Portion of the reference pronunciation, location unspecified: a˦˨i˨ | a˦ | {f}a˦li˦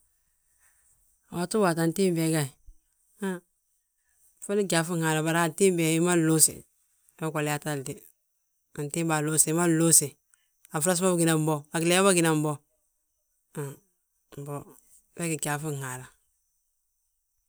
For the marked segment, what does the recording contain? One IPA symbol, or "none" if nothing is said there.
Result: f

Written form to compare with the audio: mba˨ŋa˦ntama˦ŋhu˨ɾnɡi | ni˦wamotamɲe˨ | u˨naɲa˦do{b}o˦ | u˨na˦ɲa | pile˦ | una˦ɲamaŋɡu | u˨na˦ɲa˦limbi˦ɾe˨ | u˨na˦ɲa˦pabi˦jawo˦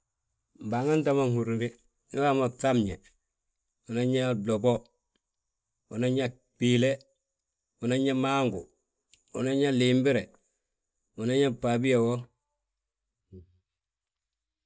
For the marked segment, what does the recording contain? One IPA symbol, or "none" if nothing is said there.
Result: b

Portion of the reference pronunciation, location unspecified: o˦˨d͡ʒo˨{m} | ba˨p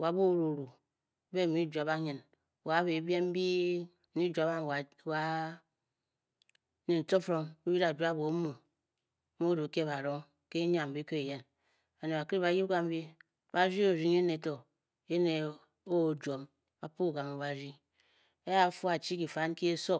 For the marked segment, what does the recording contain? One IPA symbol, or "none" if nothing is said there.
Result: m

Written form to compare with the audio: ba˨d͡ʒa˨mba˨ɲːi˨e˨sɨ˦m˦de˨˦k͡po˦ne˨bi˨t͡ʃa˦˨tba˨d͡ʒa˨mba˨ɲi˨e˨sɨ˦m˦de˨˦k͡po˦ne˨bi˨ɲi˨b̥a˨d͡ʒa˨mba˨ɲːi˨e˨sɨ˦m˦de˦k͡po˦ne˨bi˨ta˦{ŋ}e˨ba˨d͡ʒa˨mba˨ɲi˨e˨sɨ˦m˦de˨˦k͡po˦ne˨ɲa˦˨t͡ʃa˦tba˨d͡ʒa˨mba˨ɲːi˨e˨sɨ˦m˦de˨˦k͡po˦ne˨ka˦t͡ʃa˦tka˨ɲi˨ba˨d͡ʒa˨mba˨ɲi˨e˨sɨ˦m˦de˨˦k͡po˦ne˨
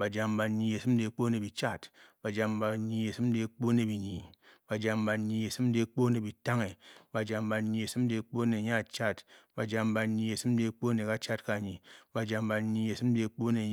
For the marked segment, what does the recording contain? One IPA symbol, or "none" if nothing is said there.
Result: ŋ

